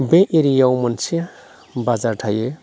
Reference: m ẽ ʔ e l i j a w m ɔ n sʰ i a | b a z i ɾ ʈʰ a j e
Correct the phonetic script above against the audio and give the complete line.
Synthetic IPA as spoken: b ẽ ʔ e ɾ i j a w m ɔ n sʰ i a | b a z a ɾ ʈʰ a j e